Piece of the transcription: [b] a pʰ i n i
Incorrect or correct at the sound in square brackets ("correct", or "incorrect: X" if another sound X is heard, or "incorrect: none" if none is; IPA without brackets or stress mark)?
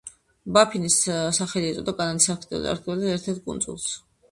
correct